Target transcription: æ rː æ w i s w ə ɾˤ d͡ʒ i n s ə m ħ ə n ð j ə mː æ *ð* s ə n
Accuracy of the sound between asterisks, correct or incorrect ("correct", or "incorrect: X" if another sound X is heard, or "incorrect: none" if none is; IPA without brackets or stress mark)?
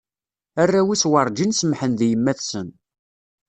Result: incorrect: θ